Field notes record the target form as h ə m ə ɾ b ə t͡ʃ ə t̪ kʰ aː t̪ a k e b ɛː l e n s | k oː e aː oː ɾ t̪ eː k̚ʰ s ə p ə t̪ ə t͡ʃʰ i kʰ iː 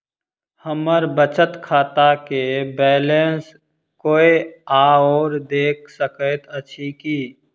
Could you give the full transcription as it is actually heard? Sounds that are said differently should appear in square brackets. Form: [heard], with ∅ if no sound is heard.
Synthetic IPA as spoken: h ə m ə ɾ b ə t͡ʃ ə t̪ kʰ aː t̪ a k e b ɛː l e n s | k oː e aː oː ɾ [d̪] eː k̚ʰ s ə [k] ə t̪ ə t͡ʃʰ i [k] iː